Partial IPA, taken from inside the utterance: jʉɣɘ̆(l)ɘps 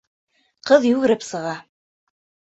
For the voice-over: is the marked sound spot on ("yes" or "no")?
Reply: no